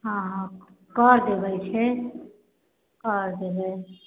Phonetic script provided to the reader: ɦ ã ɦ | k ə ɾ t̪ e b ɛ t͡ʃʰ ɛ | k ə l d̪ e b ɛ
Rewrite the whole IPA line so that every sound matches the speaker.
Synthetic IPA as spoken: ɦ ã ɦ | k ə ɾ d̪ e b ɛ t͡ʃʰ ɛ | k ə ɾ d̪ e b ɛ

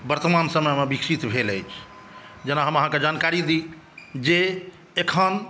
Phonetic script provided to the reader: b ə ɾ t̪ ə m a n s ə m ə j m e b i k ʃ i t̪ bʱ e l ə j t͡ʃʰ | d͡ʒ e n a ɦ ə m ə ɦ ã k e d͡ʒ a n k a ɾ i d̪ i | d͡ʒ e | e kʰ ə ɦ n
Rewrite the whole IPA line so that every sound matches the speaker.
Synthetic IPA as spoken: b ə ɾ t̪ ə m a n s ə m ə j m e b i k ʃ i t̪ bʱ e l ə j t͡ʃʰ | d͡ʒ e n a ɦ ə m ə ɦ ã k e d͡ʒ a n k a ɾ i d̪ i | d͡ʒ e | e kʰ ə n

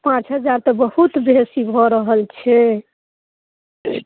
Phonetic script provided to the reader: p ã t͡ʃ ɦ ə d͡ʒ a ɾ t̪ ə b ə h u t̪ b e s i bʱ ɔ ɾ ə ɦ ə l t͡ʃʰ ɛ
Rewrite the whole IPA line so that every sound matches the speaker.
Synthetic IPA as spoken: p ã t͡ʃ ɦ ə d͡ʒ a ɾ t̪ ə b ə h u t̪ b e s i bʱ ɔ ɾ ə ɦ ə l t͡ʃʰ ɛ

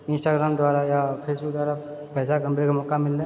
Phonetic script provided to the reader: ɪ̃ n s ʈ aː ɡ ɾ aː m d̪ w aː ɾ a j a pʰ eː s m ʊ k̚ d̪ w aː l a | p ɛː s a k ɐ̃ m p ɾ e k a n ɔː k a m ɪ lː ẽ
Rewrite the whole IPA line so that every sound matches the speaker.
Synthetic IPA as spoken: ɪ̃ n s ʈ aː ɡ ɾ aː m d̪ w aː ɾ a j a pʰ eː s b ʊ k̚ d̪ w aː ɾ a | p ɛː s a k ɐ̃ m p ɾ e k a m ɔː k a m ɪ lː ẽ

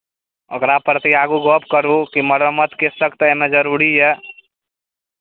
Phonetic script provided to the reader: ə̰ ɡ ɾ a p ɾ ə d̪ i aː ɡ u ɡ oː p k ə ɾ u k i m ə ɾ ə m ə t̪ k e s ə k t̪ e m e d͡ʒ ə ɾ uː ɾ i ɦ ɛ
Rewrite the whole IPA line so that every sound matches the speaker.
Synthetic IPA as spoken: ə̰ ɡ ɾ a p ɾ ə t̪ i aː ɡ u ɡ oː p k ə ɾ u k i m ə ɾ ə m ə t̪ k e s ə k t̪ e m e d͡ʒ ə ɾ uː ɾ i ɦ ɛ

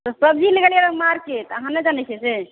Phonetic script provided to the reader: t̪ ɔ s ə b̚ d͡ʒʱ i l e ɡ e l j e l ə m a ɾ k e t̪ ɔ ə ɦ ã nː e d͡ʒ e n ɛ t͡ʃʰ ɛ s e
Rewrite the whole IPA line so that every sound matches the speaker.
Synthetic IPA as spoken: t̪ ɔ s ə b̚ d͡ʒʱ i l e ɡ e l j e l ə m a ɾ k e t̪ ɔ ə ɦ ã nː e d͡ʒ a n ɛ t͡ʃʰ ɛ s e

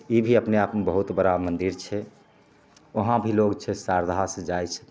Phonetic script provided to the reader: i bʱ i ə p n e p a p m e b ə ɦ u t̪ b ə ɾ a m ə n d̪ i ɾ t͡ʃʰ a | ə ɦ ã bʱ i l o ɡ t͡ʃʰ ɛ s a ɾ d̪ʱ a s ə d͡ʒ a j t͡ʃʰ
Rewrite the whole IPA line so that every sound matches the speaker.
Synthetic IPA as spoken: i bʱ i ə p n e a p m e b ə ɦ u t̪ b ə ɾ a m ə n d̪ i ɾ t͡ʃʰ ɛ | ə ɦ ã bʱ i l o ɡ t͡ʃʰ ɛ s a ɾ d̪ʱ a s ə d͡ʒ a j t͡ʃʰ

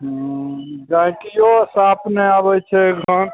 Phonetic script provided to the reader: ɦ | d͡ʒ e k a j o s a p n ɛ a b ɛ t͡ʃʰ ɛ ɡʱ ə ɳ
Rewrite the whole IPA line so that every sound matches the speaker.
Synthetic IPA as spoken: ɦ | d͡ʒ a k i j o s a p n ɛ a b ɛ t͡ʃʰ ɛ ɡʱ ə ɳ

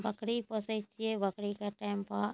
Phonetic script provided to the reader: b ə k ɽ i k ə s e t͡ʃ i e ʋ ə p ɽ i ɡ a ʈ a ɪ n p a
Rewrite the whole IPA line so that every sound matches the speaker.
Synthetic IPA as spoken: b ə k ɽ i p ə s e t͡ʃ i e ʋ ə k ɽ i k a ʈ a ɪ m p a

